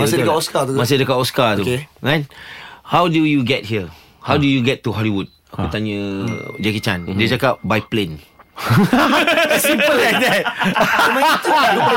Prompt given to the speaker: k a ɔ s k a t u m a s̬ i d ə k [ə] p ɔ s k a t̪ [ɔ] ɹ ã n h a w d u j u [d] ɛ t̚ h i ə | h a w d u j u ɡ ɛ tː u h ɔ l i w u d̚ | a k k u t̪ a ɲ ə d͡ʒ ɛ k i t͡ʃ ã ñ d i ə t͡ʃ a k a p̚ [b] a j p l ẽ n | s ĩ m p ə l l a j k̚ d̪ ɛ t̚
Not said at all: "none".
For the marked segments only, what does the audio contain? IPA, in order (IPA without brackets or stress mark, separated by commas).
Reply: a, u, ɡ, b